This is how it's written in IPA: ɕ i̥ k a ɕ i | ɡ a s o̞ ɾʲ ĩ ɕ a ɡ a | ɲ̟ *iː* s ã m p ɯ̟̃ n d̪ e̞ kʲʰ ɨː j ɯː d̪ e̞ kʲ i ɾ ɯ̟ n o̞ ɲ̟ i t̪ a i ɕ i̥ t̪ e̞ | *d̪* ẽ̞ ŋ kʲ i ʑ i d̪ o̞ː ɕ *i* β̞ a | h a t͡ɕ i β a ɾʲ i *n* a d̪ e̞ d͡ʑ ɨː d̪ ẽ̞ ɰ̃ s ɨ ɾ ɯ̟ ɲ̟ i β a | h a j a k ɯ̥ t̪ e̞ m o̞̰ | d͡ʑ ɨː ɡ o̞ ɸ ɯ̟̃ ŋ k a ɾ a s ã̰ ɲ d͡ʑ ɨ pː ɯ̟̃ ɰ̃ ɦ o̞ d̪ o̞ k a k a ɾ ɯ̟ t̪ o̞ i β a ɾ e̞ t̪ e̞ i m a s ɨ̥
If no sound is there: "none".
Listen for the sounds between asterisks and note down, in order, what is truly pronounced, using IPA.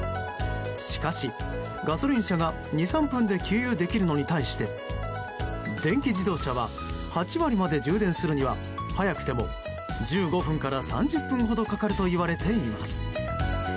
i, d̪, a, m

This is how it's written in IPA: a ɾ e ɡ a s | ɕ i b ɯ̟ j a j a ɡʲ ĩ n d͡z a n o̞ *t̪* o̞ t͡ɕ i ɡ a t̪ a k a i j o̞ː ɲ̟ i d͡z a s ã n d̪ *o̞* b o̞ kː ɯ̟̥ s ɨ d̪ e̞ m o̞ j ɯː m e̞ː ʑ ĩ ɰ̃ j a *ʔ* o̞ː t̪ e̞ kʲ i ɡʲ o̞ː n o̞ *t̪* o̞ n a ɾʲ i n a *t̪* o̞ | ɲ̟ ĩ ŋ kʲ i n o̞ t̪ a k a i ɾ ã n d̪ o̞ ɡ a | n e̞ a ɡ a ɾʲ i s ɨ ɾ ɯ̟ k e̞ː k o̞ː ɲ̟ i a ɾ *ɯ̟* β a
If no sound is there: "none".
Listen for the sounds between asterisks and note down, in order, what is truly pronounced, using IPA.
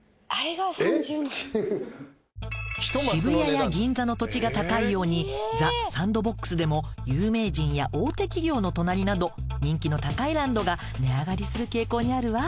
t̪, o̞, ʔ, t̪, d̪, ɯ̟

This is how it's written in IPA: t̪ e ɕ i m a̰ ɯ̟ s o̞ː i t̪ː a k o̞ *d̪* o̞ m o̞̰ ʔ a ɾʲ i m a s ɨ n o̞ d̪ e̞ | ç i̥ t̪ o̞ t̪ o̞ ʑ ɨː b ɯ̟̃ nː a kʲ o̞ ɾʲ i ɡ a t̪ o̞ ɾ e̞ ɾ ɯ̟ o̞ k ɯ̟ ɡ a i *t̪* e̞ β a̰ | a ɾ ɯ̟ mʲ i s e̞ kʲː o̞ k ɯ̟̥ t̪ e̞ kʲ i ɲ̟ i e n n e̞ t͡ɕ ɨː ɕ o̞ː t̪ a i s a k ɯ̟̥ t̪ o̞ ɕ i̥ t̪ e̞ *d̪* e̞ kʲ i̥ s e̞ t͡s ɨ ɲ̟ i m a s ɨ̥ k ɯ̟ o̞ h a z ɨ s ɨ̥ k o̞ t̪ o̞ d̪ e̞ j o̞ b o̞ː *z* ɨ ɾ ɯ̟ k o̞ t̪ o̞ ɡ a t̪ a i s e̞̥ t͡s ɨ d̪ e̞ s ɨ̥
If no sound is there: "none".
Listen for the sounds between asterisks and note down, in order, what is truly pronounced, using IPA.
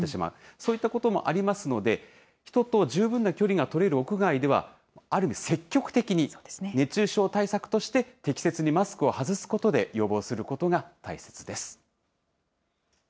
t̪, d̪, t̪, s

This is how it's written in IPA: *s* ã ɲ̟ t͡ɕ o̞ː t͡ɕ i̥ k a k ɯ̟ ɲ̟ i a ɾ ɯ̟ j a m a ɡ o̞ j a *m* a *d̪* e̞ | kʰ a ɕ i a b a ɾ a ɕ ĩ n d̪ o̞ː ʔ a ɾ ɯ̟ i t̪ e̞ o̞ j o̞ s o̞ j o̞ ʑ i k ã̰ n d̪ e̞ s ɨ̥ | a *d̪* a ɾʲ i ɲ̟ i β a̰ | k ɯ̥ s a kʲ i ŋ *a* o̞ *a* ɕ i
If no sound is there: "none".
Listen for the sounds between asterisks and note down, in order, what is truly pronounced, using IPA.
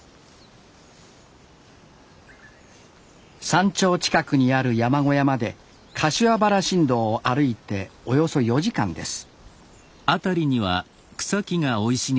s, m, d̪, t̪, a, i

